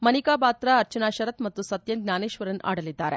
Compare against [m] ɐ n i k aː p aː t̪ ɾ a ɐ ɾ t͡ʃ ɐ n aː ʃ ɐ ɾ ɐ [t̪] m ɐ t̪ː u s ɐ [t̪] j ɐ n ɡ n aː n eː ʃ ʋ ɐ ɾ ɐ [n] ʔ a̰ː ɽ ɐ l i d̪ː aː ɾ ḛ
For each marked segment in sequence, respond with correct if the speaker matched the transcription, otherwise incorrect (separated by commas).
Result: correct, correct, correct, correct